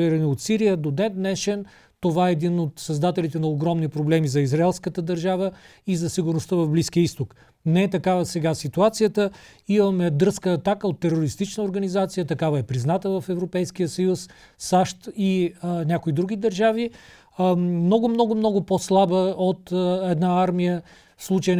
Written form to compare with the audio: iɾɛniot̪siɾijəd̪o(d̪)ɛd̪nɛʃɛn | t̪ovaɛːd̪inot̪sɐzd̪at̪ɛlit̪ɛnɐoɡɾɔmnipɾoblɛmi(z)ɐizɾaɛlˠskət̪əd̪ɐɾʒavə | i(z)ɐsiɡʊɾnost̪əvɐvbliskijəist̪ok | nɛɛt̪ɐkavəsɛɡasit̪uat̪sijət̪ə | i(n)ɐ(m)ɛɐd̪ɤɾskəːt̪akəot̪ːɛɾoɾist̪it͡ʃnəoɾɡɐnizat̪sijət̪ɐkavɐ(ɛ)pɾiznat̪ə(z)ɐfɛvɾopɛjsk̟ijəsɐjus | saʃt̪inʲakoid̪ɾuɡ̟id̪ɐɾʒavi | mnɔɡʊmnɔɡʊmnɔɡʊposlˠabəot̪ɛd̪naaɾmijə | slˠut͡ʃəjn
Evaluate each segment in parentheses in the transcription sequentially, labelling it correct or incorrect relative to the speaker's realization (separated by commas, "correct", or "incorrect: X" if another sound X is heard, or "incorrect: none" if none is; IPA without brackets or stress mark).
correct, correct, correct, incorrect: m, correct, correct, incorrect: v